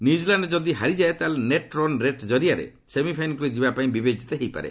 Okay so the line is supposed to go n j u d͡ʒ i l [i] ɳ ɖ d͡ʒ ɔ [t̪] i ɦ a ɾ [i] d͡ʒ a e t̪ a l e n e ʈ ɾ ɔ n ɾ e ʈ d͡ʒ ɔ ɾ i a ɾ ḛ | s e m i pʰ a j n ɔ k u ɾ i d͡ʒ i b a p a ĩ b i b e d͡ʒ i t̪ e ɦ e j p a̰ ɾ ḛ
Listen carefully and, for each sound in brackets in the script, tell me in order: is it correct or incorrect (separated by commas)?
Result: incorrect, incorrect, correct